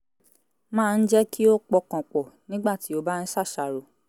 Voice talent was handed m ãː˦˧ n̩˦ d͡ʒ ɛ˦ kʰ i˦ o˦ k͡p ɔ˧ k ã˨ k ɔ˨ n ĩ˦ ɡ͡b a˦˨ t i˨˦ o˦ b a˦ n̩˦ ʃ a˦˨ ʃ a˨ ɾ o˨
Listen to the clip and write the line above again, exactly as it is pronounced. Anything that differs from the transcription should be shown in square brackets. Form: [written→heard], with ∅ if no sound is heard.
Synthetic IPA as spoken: m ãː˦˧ n̩˦ d͡ʒ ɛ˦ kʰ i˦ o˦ k͡p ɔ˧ k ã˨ [k→k͡p] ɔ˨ n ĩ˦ ɡ͡b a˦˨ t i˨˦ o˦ b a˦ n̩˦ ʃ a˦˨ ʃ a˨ ɾ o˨